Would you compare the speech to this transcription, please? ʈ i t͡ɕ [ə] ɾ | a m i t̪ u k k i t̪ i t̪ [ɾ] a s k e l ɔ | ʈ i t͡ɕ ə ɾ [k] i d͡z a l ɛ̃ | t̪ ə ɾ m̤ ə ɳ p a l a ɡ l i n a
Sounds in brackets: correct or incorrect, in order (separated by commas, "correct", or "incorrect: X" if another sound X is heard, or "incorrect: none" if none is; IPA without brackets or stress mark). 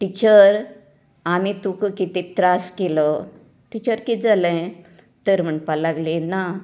correct, correct, correct